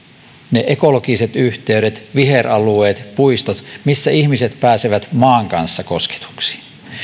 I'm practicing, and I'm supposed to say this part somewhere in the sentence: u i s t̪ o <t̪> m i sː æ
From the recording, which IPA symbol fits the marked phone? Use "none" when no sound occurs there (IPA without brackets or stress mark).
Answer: t̪